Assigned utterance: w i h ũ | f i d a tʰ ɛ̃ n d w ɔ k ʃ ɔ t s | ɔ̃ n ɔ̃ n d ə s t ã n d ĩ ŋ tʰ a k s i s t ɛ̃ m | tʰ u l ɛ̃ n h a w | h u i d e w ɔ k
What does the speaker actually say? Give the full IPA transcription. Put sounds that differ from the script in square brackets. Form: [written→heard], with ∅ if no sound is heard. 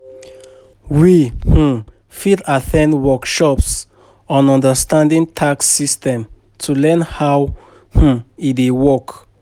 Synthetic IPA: w i h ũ | f i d a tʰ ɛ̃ n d w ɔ k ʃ ɔ [t→p] s | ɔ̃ n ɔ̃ n d ə s t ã n d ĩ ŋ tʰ a k s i s t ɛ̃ m | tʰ u l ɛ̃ n h a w | h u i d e w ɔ k

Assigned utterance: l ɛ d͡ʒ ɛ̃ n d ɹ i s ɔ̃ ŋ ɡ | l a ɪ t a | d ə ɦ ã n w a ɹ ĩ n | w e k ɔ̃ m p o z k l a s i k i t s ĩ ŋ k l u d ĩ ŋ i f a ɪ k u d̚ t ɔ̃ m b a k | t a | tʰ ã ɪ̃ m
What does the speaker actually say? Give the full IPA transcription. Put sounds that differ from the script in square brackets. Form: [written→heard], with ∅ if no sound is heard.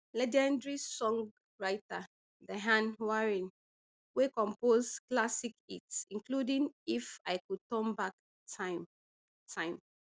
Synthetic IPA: l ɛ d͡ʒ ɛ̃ n d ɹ i s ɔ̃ ŋ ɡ | [l→ɹ] a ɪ t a | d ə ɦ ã n w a ɹ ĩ n | w e k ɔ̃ m p o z k l a s i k i t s ĩ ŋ k l u d ĩ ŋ i f a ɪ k u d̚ t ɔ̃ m b a k | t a | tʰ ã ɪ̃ m

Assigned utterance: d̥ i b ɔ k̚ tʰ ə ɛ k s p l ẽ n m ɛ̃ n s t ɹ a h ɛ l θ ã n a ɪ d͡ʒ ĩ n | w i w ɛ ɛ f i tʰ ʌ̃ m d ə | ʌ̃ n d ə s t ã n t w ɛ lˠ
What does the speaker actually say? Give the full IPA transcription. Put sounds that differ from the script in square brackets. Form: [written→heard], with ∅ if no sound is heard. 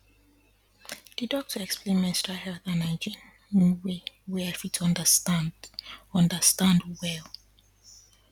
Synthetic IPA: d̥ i [b→d] ɔ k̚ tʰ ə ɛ k s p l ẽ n m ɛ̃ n s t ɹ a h ɛ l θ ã n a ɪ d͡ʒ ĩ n | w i w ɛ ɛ f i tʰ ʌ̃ [m→n] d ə | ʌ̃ n d ə s t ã n [t→d] w ɛ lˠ

